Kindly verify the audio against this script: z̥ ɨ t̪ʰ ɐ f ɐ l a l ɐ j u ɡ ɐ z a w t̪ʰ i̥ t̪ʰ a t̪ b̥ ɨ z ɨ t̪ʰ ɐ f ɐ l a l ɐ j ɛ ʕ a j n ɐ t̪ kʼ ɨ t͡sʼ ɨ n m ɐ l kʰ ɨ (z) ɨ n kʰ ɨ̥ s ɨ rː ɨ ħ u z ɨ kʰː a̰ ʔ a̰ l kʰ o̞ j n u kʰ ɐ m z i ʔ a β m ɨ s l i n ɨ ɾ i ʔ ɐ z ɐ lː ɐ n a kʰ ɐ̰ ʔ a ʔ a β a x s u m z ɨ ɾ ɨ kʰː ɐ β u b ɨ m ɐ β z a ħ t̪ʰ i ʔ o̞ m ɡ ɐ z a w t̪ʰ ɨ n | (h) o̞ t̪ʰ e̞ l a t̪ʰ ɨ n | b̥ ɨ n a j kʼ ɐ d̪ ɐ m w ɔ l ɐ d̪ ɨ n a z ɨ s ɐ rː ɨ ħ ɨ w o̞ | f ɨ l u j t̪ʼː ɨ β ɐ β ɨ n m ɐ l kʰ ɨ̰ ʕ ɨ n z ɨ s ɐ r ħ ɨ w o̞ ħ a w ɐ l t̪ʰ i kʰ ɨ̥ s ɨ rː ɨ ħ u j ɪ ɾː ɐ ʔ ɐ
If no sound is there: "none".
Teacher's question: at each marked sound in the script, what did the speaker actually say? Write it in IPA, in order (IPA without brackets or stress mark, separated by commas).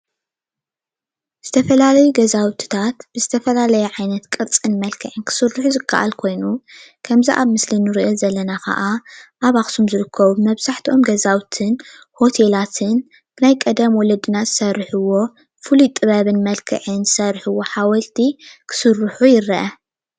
ʕ, h